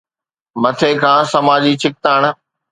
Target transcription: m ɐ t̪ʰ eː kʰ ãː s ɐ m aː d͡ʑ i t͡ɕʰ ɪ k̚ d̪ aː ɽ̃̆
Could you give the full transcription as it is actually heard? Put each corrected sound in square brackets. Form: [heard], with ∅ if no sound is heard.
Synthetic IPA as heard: m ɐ t̪ʰ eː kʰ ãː s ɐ m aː d͡ʑ i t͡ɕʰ ɪ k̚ [t̪] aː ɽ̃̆